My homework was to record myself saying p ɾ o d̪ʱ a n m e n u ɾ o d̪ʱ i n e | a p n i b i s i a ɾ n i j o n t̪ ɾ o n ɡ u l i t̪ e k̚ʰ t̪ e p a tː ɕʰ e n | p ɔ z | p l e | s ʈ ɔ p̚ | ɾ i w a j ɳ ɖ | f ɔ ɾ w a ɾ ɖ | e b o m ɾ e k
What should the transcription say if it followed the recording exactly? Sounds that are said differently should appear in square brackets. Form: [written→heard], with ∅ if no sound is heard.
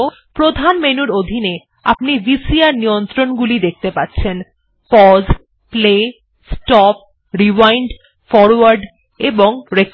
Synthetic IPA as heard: p ɾ o d̪ʱ a n m e n u ɾ o d̪ʱ i n e | a p n i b i s i a ɾ n i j o n t̪ ɾ o n ɡ u l i [t̪→d̪] e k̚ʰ t̪ e p a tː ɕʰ e n | p ɔ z | p l e | s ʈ ɔ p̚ | ɾ i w a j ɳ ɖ | f ɔ ɾ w a ɾ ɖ | e b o [m→ŋ] ɾ e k